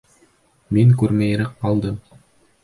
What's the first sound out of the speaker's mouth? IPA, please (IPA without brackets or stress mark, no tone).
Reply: m